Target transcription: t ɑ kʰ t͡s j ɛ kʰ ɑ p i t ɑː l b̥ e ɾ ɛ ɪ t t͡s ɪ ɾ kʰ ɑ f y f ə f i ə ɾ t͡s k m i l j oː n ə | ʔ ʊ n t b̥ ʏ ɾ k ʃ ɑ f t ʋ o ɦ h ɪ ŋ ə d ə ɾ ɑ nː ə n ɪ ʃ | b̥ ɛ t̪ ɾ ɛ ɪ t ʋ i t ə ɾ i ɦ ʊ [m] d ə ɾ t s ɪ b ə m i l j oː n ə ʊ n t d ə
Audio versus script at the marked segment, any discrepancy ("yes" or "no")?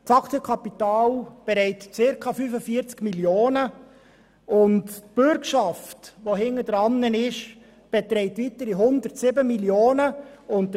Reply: yes